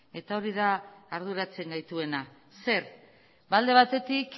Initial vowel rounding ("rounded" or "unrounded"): unrounded